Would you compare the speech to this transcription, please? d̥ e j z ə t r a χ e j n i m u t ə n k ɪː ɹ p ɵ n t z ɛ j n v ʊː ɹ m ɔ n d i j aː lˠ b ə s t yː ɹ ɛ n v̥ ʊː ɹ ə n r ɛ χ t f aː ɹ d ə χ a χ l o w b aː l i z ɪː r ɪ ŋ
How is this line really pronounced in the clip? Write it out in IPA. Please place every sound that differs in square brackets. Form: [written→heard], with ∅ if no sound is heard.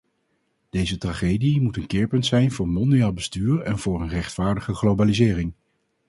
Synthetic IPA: d̥ e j z ə t r a χ e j [n→d] i m u t ə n k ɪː ɹ p ɵ n t [z→s] ɛ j n v ʊː ɹ m ɔ n d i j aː lˠ b ə s t yː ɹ ɛ n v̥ ʊː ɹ ə n r ɛ χ t f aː ɹ d ə χ [a→ə] χ l o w b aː l i z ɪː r ɪ ŋ